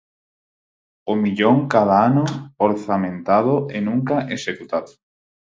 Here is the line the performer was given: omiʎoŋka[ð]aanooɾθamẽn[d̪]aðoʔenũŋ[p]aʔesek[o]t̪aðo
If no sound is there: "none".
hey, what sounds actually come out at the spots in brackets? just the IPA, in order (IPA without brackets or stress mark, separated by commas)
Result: ð, t̪, k, u